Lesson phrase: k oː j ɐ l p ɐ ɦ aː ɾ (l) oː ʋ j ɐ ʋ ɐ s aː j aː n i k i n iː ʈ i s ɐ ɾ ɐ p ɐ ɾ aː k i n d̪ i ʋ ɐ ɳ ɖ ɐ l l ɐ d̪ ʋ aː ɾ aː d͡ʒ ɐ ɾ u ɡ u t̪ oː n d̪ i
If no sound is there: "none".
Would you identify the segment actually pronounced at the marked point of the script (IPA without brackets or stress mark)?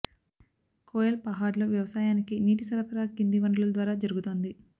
l